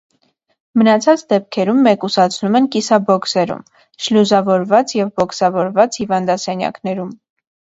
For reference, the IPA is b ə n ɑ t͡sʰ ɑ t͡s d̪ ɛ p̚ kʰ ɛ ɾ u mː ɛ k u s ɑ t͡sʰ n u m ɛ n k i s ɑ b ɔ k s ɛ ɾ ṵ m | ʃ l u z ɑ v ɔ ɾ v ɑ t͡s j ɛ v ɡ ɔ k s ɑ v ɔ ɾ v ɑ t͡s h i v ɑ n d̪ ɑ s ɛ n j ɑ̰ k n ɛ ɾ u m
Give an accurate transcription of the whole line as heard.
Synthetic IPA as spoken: m ə n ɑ t͡sʰ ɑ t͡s d̪ ɛ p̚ kʰ ɛ ɾ u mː ɛ k u s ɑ t͡sʰ n u m ɛ n k i s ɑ b ɔ k s ɛ ɾ ṵ m | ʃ l u z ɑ v ɔ ɾ v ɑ t͡s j ɛ v b ɔ k s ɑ v ɔ ɾ v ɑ t͡s h i v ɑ n d̪ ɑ s ɛ n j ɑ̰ k n ɛ ɾ u m